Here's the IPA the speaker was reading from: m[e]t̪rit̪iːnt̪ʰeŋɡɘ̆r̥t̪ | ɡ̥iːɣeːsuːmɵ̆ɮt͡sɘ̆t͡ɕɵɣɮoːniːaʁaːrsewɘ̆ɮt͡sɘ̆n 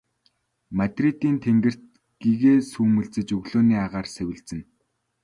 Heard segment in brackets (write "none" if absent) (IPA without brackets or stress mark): a